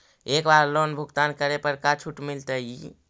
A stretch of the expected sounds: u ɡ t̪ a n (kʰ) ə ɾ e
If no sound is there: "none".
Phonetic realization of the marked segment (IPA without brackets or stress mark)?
k